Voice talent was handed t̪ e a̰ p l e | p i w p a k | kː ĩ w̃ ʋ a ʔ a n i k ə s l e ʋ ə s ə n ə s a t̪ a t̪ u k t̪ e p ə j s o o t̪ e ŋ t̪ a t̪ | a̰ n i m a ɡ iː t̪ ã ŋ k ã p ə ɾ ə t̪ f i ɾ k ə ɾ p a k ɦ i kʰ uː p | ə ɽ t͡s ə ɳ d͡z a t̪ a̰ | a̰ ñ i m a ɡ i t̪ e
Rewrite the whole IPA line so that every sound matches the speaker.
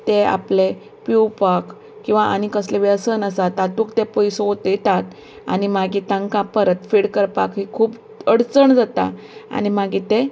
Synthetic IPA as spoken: t̪ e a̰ p l e | p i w p a k | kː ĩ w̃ ʋ a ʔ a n i k ə s l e ʋ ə s ə n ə s a t̪ a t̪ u k t̪ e p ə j s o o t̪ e t̪ a t̪ | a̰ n i m a ɡ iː t̪ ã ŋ k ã p ə ɾ ə t̪ f i ɽ k ə ɾ p a k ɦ i kʰ uː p | ə ɽ t͡s ə ɳ d͡z a t̪ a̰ | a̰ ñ i m a ɡ i t̪ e